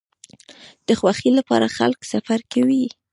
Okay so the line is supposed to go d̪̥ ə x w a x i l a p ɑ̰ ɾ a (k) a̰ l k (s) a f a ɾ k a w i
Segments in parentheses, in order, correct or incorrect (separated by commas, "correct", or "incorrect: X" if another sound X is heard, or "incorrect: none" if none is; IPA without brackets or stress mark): incorrect: x, correct